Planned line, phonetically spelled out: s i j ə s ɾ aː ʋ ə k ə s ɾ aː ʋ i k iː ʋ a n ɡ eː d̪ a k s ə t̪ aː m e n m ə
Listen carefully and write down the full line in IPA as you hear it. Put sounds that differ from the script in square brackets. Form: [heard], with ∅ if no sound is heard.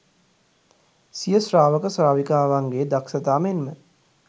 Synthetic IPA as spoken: s i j ə s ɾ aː ʋ ə k ə s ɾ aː ʋ i k [aː] ʋ a [ŋ] ɡ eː d̪ a k s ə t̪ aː m e n m ə